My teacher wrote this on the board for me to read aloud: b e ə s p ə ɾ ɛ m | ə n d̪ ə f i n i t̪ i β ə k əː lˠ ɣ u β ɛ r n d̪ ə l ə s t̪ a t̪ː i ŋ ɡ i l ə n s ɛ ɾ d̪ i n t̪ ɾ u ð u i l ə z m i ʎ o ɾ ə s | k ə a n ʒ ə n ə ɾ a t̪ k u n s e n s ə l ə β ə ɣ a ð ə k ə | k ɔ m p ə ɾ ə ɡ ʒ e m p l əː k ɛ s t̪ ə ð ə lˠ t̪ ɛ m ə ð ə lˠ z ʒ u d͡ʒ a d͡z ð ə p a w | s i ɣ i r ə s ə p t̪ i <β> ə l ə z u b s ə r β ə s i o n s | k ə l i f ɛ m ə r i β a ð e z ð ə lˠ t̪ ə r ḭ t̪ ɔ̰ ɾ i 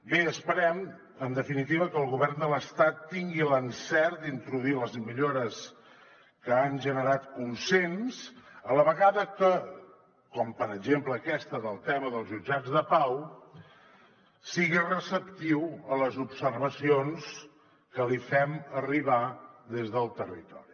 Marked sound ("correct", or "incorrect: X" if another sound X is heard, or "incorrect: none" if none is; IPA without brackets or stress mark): incorrect: w